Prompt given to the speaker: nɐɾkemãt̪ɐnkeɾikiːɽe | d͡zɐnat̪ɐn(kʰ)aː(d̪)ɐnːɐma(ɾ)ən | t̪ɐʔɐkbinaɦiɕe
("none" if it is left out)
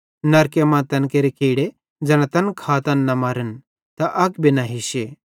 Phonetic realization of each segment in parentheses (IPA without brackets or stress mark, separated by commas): kʰ, t̪, ɾ